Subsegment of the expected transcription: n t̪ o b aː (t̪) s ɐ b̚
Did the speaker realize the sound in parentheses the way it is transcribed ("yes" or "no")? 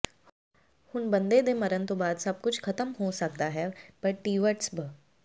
no